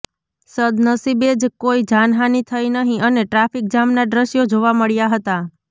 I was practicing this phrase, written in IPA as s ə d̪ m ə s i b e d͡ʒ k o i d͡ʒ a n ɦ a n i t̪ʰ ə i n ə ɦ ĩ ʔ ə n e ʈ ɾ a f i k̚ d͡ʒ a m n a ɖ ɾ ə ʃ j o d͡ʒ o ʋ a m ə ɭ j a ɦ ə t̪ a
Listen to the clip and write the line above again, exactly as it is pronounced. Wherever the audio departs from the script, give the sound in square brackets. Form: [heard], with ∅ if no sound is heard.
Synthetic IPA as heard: s ə d̪ [n] ə s i b e d͡ʒ k o i d͡ʒ a n ɦ a n i t̪ʰ ə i n ə ɦ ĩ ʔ ə n e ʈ ɾ a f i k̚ d͡ʒ a m n a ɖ ɾ ə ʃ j o d͡ʒ o ʋ a m ə ɭ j a ɦ ə t̪ a